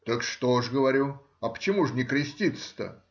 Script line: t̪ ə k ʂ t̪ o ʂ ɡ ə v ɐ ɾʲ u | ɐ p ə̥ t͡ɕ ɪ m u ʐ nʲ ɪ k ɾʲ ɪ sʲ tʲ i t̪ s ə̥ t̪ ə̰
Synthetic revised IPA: t̪ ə k ʂ t̪ o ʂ ɡ ə v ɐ ɾʲ u | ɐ p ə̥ t͡ɕ ɪ m u ʐ nʲ ɪ k ɾʲ ɪ sʲ tʲ i t̪ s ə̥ t̪ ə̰